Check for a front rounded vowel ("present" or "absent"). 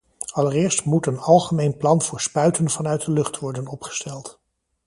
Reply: present